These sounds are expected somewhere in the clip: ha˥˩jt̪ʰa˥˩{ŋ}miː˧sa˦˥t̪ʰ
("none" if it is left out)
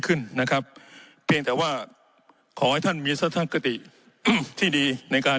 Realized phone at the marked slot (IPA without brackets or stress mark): n